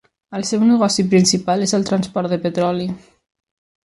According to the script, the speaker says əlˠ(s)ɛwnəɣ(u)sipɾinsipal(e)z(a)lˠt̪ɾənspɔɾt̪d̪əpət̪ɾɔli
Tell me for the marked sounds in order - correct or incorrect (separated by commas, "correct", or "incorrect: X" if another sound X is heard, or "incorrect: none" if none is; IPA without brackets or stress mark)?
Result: correct, incorrect: ɔ, correct, incorrect: ə